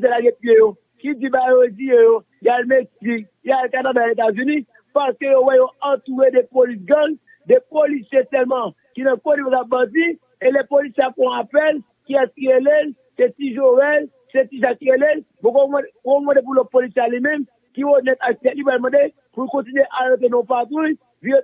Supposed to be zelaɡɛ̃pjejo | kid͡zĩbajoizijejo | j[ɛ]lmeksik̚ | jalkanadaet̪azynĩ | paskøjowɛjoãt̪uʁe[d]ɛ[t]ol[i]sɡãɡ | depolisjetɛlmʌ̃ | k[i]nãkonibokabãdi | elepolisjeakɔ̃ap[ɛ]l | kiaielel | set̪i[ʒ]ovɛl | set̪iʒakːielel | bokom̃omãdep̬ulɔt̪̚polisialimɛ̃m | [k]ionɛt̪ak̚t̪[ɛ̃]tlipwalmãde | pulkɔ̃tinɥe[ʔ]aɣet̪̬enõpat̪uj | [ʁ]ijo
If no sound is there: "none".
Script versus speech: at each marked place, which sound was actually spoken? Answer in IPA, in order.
a, d, p, i, i, ɛ, ʒ, k, ɛ, ʔ, v

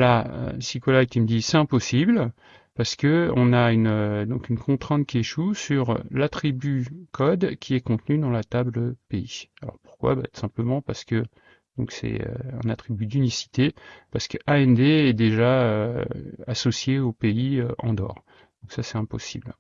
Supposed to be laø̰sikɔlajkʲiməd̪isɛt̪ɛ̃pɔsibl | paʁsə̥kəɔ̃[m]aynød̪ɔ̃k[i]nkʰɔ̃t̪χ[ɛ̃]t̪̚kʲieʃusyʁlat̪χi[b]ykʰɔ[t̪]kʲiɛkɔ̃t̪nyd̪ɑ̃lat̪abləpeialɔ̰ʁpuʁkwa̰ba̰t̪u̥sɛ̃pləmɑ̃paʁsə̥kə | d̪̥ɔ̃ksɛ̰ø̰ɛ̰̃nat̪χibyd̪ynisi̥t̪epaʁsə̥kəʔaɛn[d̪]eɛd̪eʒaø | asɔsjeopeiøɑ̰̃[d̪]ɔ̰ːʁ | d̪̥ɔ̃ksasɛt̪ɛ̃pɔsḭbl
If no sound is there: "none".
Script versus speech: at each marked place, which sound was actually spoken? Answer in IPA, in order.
n, y, ɛ̃, b, d̪, d̪, d̪

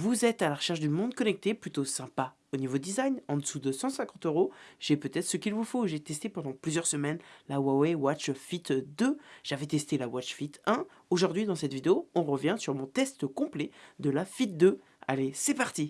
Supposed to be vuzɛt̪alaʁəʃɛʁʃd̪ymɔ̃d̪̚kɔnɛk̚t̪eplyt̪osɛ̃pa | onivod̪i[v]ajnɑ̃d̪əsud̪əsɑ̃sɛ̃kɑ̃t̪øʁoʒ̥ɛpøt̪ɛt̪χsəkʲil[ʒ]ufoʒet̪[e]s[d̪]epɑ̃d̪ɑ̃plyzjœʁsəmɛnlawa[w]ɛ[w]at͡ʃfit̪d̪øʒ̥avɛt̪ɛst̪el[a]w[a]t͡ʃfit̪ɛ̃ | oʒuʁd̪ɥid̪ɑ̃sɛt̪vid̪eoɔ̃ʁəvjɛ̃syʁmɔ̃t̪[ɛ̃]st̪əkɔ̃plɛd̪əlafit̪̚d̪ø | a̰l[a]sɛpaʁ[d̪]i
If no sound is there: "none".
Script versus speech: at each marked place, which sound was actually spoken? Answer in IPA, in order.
z, v, ɛ, t̪, w, w, a, a, ɛ, e, t̪

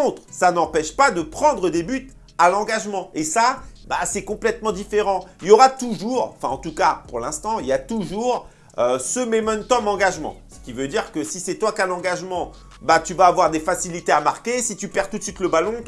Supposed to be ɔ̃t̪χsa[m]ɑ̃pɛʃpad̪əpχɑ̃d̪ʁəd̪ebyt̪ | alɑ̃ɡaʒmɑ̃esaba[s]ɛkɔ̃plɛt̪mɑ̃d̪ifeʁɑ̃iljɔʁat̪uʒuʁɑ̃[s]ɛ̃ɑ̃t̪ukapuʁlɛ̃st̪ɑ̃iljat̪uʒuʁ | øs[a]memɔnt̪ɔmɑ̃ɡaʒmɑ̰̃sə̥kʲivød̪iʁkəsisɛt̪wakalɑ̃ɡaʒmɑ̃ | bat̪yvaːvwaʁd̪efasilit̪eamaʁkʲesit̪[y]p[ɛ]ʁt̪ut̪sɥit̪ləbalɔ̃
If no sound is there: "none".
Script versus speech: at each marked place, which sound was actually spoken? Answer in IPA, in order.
n, s, f, ə, y, ɛ

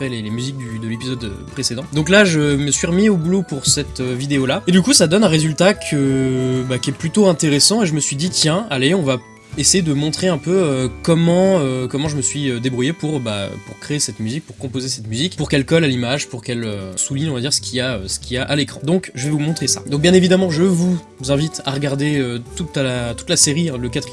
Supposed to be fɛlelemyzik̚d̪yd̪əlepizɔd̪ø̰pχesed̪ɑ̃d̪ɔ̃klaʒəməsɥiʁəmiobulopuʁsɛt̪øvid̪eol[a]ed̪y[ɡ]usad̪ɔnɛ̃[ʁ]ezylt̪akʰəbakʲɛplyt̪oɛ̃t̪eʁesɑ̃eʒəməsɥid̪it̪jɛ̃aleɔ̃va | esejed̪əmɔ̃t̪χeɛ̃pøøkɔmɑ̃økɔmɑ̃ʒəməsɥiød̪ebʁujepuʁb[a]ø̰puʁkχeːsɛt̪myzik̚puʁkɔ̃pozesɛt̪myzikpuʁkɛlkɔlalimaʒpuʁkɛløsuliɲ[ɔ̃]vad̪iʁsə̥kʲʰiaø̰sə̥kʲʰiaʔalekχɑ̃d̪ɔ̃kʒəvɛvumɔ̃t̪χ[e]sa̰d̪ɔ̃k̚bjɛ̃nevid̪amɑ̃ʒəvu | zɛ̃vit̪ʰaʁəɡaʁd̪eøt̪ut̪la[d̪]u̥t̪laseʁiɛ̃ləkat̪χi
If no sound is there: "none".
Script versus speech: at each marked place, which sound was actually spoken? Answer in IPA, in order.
a, k, ʁ, a, ɔ̃, e, t̪

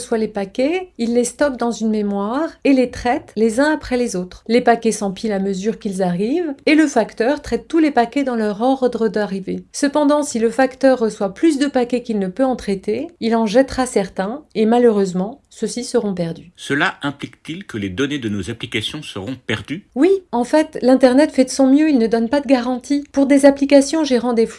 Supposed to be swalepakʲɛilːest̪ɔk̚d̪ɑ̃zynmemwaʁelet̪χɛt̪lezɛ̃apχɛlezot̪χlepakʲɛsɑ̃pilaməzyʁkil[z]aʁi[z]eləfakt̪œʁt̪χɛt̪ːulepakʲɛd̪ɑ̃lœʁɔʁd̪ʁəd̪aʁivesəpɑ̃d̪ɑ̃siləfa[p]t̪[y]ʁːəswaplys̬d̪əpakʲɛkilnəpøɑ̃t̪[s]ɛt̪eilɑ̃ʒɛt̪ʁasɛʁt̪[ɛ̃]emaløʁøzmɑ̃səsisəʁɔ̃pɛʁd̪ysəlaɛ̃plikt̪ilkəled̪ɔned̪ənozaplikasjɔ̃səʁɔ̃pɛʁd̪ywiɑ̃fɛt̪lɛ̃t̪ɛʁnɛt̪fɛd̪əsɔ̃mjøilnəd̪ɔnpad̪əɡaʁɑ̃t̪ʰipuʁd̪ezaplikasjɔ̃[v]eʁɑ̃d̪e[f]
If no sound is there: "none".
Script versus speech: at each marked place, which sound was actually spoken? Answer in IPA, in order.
z, v, k, œ, χ, ɛ̃, ʒ, f

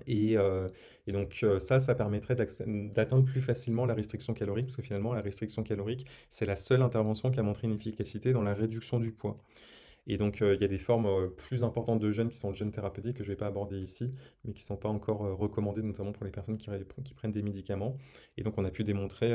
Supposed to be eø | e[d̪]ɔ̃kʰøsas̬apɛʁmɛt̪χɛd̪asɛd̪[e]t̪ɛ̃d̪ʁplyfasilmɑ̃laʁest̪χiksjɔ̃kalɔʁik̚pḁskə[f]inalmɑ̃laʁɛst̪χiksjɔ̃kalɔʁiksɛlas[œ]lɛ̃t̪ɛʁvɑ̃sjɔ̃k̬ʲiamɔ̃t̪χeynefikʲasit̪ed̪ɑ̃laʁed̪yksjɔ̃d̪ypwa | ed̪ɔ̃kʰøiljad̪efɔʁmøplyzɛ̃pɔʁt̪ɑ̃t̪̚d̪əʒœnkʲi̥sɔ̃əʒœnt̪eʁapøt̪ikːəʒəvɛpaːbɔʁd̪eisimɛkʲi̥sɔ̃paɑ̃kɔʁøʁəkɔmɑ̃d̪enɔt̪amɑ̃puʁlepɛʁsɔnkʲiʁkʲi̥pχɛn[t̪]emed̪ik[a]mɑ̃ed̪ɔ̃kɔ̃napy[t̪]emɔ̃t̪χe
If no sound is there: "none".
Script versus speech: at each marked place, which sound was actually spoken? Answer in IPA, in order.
d̪, a, f, œ, d̪, a, d̪

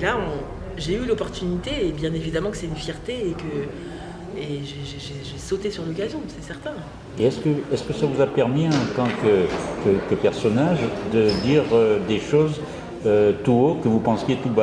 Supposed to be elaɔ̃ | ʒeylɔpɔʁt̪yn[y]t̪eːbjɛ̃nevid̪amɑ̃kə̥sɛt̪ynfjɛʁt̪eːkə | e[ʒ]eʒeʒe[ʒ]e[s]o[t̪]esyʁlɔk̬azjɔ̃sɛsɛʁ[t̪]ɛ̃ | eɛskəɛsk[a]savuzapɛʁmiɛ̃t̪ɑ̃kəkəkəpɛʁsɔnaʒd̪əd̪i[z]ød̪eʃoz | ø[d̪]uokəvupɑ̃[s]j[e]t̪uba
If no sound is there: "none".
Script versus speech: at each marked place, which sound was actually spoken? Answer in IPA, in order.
i, ʒ, ʒ, s, t̪, t̪, ə, ʁ, t̪, s, e

